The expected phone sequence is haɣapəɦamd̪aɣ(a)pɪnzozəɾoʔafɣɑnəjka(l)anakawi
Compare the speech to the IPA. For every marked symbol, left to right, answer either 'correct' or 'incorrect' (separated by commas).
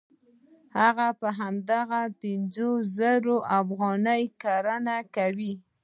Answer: correct, incorrect